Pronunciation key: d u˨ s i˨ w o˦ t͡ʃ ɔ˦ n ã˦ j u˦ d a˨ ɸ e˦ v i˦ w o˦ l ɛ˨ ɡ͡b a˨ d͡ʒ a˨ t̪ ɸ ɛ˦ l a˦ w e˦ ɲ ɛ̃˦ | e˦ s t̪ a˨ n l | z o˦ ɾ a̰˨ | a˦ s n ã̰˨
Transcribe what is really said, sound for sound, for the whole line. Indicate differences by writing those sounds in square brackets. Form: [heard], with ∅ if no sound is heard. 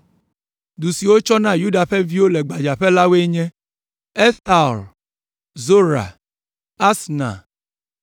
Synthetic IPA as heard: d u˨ s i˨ w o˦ t͡ʃ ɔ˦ n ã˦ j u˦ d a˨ ɸ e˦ v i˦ w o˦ l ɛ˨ ɡ͡b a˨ d͡ʒ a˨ [∅] ɸ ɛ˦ l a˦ w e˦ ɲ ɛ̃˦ | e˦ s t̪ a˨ [∅] l | z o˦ ɾ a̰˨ | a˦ s n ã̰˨